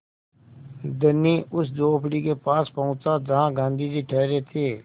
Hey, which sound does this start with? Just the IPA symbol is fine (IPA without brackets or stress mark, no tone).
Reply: d̪